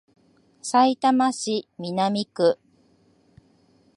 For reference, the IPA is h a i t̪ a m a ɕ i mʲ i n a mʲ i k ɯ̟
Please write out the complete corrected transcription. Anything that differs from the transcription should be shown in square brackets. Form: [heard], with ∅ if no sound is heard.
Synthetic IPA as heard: [s] a i t̪ a m a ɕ i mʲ i n a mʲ i k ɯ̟